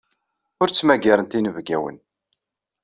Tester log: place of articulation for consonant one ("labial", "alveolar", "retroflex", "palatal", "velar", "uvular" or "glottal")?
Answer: alveolar